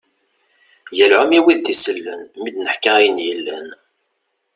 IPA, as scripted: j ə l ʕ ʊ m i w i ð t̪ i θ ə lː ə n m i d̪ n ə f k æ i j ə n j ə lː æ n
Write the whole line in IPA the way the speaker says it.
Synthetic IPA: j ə l ʕ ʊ m i w i ð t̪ i s ə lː ə n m i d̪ n ə ħ k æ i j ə n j ə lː æ n